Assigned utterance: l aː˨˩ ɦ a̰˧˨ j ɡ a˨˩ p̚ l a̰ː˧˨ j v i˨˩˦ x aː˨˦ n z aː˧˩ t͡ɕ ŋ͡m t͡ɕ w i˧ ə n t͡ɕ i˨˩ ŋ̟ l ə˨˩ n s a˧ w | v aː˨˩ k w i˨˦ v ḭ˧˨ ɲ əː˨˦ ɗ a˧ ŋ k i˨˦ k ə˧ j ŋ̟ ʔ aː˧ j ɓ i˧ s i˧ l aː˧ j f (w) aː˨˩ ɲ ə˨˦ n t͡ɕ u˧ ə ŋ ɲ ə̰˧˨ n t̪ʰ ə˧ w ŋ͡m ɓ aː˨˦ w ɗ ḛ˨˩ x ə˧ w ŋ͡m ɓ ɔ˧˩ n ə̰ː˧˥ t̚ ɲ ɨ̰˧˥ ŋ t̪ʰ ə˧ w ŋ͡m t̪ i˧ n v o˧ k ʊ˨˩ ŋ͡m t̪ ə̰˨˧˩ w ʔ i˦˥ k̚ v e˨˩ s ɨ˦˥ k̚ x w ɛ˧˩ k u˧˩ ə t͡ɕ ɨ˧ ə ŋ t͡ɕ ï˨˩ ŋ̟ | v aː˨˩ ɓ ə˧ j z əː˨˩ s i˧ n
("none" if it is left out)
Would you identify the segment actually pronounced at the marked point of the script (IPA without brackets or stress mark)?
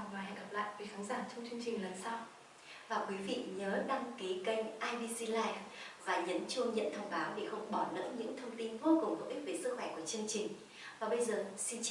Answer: v